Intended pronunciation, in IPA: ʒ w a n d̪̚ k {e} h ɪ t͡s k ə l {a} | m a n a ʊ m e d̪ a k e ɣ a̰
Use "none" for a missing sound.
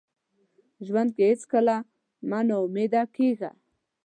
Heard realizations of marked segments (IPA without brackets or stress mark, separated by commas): e, a